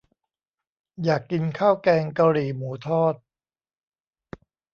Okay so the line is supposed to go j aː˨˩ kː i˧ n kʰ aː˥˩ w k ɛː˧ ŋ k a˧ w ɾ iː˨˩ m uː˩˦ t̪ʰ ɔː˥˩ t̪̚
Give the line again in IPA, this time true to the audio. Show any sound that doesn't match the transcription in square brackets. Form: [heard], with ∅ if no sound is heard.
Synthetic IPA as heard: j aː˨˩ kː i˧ n kʰ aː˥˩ w k ɛː˧ ŋ k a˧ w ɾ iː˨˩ m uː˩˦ t̪ʰ ɔː˥˩ t̪̚